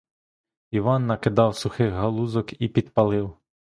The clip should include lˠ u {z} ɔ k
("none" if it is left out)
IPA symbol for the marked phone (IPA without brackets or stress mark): z